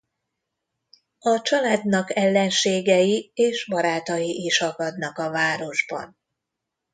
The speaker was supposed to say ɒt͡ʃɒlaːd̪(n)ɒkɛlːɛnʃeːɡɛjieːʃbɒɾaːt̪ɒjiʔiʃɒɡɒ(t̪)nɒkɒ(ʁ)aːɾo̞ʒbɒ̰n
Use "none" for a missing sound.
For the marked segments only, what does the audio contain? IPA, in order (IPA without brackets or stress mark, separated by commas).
n, d̪, v